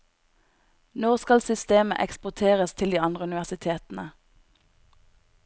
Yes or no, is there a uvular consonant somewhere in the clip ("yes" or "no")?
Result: yes